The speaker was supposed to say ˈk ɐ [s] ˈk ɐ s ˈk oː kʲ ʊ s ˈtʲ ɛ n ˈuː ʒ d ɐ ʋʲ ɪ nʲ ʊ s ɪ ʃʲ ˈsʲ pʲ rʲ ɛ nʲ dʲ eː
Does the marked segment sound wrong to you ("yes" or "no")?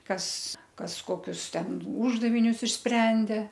no